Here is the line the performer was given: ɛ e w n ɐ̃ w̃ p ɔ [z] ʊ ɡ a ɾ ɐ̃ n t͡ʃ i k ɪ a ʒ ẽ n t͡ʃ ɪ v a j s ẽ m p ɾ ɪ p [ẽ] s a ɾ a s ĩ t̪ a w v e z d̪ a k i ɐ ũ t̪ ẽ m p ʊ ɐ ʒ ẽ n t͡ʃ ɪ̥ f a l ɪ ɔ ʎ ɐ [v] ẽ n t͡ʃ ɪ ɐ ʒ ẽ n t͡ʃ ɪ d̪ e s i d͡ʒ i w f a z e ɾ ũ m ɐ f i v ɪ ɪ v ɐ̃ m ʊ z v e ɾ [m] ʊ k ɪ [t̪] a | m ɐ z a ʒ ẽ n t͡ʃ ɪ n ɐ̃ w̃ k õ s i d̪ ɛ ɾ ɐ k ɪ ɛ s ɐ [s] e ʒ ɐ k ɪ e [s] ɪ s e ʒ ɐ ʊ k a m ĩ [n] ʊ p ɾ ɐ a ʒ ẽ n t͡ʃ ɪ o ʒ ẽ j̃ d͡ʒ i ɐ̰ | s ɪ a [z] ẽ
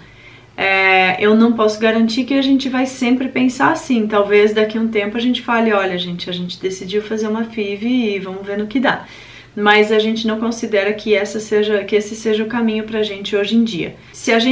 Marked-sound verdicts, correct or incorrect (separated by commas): incorrect, correct, incorrect, incorrect, incorrect, correct, correct, incorrect, incorrect